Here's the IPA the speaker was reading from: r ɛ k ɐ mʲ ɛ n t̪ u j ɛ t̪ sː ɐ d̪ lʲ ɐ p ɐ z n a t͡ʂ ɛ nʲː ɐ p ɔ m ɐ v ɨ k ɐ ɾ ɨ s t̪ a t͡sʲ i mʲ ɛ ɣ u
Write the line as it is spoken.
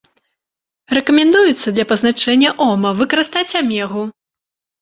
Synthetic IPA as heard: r ɛ k ɐ mʲ ɛ n d̪ u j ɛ t̪ sː ɐ d̪ lʲ ɐ p ɐ z n a t͡ʂ ɛ nʲː ɐ ʔ ɔ m ɐ v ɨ k ɐ ɾ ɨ s t̪ a t͡sʲ a mʲ ɛ ɣ u